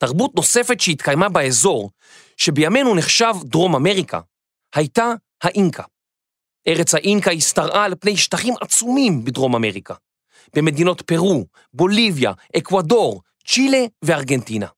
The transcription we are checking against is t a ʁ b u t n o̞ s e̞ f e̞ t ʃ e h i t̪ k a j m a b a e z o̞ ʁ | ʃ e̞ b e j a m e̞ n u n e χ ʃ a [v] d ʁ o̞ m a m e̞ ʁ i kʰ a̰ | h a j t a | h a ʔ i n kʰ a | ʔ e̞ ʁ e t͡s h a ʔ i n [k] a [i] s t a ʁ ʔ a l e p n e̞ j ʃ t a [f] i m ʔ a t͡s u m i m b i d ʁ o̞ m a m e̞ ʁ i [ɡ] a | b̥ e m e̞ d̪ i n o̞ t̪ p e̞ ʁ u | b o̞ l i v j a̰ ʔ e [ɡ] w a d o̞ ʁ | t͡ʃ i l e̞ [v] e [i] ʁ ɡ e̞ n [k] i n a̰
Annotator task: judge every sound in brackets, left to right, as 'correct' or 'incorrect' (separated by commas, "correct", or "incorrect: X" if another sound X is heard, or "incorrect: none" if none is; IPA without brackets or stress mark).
correct, correct, correct, incorrect: χ, incorrect: k, incorrect: k, correct, incorrect: a, incorrect: t